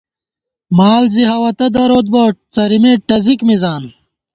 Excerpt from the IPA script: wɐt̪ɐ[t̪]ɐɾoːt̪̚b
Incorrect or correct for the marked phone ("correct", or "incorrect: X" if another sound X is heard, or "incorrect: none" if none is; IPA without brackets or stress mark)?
incorrect: d̪